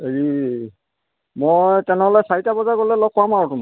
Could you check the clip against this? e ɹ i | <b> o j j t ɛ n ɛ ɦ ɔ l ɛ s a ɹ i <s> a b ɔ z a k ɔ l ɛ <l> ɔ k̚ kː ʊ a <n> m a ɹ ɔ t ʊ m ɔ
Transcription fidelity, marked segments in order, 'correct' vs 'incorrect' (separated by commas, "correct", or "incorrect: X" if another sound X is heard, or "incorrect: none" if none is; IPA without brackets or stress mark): incorrect: m, incorrect: t, correct, incorrect: none